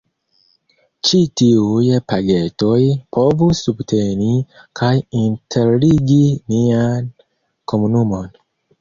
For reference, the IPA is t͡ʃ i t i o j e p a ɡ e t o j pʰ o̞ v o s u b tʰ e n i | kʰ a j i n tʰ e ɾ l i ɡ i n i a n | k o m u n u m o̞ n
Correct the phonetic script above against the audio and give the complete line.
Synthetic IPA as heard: t͡ʃ i t i u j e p a ɡ e t o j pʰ o̞ v u s u b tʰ e n i | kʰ a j i n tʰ e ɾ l i ɡ i n i a n | k o m u n u m o̞ n